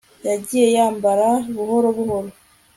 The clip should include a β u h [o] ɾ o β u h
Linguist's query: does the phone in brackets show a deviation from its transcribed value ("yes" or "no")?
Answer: no